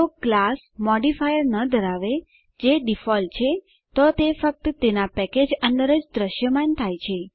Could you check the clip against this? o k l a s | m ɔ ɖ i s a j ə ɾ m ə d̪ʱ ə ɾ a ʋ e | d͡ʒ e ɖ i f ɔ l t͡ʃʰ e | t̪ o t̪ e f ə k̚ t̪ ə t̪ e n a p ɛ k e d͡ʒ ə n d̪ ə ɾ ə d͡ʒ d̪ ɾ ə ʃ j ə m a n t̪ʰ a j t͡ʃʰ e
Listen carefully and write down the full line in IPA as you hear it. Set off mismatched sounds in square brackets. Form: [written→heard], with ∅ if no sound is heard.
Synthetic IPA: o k l a s | m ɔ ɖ i [s→f] a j ə ɾ [m→n] ə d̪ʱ ə ɾ a ʋ e | d͡ʒ e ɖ i f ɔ l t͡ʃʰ e | t̪ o t̪ e f ə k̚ t̪ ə t̪ e n a p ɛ k e d͡ʒ ə n d̪ ə ɾ ə d͡ʒ d̪ ɾ ə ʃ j ə m a n t̪ʰ a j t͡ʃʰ e